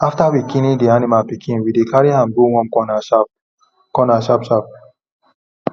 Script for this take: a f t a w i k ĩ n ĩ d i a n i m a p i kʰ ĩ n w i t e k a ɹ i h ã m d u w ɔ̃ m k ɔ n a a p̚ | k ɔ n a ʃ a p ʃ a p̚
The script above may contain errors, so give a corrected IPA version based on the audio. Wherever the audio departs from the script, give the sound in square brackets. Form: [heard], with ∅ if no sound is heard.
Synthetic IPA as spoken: a f t a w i k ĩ n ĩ d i a n i m a p i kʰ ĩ n w i [d] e k a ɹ i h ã m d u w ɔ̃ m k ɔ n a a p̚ | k ɔ n a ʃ a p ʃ a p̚